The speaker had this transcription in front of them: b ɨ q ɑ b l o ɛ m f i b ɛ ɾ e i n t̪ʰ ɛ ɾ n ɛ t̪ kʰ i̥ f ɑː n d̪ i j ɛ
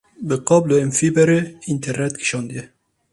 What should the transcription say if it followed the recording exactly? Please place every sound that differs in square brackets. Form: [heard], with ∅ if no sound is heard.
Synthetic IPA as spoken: b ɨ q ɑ b l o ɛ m f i b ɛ ɾ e i n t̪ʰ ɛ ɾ n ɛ t̪ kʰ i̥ [ʃ] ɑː n d̪ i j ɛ